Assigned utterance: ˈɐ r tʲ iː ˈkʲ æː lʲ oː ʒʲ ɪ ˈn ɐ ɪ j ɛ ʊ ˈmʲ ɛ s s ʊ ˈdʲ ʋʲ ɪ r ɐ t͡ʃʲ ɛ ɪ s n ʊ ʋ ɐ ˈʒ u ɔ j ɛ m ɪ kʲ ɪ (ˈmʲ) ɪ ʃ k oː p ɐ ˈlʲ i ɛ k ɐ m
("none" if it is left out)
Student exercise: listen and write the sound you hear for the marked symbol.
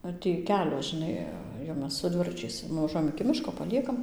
mʲ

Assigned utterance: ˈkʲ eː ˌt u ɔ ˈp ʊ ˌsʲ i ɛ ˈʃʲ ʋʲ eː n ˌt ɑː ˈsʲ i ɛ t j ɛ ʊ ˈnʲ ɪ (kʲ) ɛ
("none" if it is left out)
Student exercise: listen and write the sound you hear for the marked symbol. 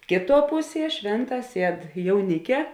kʲ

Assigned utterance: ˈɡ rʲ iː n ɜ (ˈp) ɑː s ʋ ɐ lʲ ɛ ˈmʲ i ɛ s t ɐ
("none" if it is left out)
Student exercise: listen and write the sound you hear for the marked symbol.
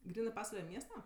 p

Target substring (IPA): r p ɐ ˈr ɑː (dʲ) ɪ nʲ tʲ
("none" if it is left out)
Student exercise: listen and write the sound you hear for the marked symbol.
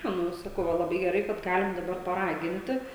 ɡʲ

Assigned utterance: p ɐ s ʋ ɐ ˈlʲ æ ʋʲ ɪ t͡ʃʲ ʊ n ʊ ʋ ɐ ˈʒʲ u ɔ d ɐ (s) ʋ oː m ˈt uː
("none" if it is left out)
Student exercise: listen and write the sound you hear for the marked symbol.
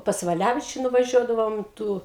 none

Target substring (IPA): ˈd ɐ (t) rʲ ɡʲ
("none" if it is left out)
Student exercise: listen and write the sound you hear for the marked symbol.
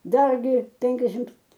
none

